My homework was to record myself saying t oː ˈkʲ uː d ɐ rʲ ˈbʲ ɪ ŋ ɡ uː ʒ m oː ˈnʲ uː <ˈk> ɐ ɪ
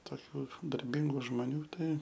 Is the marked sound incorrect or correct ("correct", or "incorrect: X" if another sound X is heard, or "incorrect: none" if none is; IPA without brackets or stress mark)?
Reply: incorrect: t